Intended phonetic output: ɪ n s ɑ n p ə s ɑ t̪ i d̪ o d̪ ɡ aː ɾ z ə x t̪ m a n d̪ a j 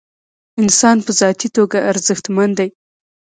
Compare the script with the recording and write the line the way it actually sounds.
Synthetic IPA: ɪ n s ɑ n p ə z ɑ t̪ i t̪ o ɡ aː ɾ z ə x t̪ m a n d̪ a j